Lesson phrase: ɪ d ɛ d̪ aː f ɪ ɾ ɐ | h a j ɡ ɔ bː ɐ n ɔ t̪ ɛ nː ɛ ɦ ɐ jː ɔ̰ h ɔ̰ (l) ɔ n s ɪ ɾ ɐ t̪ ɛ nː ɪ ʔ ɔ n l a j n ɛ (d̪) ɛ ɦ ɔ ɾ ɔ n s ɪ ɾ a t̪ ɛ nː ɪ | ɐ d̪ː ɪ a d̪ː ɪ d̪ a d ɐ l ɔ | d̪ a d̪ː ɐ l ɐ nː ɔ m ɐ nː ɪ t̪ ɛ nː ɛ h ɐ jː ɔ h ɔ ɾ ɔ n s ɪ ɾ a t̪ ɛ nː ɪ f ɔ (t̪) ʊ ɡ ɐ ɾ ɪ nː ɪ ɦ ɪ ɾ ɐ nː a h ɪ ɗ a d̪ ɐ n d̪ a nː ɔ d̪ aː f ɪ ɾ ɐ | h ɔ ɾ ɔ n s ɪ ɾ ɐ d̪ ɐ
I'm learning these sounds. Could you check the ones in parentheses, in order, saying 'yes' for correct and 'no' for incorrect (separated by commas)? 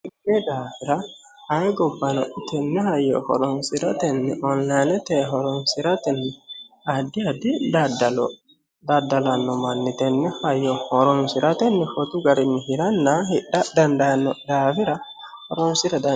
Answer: no, no, yes